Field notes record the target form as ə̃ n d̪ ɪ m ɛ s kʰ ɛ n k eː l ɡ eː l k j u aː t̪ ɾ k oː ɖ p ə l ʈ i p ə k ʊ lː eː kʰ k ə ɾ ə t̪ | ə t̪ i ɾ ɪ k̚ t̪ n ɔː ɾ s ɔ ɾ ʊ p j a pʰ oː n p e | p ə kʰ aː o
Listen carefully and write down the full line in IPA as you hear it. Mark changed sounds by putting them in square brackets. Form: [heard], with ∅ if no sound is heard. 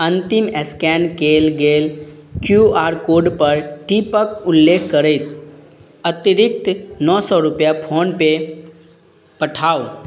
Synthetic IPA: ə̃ n [t̪] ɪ m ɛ s [k] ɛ n k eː l ɡ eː l k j u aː [∅] ɾ k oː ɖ p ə [ɾ] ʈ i p ə k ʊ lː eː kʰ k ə ɾ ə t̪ | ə t̪ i ɾ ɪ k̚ t̪ n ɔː [∅] s ɔ ɾ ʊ p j a pʰ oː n p e | p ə [ʈʰ] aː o